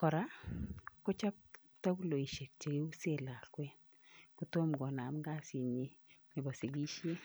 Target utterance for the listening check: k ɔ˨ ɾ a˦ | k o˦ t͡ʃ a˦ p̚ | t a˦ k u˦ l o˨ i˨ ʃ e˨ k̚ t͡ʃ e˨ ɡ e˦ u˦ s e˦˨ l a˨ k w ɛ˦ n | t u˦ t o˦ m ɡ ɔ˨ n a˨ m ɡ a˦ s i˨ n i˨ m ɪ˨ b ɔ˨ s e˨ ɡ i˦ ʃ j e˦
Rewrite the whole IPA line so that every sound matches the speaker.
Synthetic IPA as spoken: k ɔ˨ ɾ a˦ | k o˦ t͡ʃ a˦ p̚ | t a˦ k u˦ l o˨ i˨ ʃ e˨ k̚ t͡ʃ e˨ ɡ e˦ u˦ s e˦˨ l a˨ k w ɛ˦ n | k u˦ t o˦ m ɡ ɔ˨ n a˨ m ɡ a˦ s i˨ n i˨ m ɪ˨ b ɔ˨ s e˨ ɡ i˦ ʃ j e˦